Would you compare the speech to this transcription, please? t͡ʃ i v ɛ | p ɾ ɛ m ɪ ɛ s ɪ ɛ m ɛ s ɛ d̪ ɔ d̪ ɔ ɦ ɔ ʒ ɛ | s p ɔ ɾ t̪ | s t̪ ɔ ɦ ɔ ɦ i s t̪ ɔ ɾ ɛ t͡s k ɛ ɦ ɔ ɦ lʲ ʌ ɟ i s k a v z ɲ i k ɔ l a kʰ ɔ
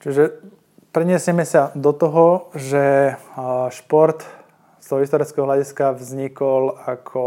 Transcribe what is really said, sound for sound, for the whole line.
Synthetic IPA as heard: t͡ʃ i ʒ ɛ | p ɾ ɛ ɲ ɪ ɛ s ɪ ɛ m ɛ s a d̪ ɔ t̪ ɔ ɦ ɔ ʒ ɛ | ʃ p ɔ ɾ t̪ | s t̪ ɔ ɦ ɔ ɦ i s t̪ ɔ ɾ ɛ t͡s k ɛ ɦ ɔ ɦ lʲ a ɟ i s k a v z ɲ i k ɔ l a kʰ ɔ